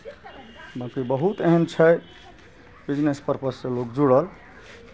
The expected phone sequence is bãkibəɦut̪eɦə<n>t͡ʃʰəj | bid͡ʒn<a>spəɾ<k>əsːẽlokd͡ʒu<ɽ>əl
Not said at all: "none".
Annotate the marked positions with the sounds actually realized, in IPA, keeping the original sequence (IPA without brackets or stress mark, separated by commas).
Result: n, e, p, ɽ